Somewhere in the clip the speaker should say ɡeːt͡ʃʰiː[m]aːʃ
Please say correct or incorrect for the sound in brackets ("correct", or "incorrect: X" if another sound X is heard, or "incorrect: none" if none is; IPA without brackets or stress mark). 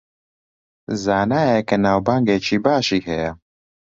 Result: incorrect: b